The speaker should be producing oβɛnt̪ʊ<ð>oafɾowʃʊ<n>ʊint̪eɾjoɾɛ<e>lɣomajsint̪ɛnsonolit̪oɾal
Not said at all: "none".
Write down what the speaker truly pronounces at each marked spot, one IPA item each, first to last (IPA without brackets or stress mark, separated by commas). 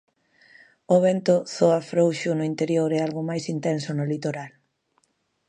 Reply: θ, n, a